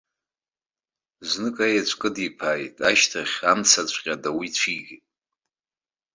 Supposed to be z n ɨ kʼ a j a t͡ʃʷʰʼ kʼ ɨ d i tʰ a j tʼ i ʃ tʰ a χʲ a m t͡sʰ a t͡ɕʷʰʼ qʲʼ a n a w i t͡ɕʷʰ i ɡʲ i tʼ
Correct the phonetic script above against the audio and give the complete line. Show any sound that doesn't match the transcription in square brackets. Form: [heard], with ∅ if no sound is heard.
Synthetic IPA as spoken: z n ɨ kʼ a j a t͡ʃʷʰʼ kʼ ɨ d i [pʰ] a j tʼ [a] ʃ tʰ a χʲ a m t͡sʰ a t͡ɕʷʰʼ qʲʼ a [d] a w i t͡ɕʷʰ i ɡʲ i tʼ